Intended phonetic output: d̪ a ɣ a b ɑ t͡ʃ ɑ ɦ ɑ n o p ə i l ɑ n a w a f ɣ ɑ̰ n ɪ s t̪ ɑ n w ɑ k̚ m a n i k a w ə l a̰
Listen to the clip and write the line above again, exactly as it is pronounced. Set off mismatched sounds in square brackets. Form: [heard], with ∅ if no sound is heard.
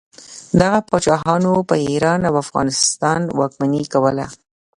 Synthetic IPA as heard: d̪ a ɣ a [p] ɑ t͡ʃ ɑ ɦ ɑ n o p ə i [ɾ] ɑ n a w a f ɣ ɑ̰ n ɪ s t̪ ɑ n w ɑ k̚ m a n i k a w ə l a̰